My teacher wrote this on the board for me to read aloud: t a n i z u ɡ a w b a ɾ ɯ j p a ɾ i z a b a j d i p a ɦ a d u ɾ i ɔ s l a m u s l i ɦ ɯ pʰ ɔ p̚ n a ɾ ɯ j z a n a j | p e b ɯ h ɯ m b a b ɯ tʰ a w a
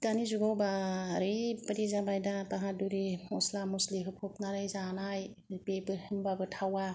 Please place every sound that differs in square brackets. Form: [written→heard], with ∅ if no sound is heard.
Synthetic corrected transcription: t a n i z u ɡ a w b a ɾ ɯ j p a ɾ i z a b a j d [i→a] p a ɦ a d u ɾ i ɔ s l a m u s l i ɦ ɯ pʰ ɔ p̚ n a ɾ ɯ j z a n a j | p e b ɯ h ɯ m b a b ɯ tʰ a w a